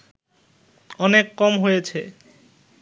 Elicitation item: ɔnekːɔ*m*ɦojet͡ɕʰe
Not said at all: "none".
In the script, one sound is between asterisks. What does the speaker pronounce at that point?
m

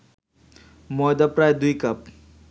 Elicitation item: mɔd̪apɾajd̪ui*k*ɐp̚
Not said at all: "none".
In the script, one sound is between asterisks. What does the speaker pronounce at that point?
k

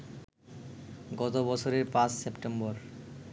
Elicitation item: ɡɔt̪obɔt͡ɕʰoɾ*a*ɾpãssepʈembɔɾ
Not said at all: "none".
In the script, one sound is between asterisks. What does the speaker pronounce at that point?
e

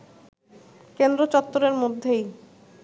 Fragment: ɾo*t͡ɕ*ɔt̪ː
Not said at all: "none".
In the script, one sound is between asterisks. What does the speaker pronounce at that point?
t͡ɕ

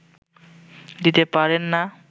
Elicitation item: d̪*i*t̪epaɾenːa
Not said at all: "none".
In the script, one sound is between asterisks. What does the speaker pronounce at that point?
i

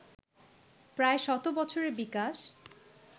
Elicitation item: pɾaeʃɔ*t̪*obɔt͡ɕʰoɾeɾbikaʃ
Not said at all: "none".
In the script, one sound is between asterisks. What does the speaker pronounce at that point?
t̪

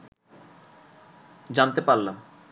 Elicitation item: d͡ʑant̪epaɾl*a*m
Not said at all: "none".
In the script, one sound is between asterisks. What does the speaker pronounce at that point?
a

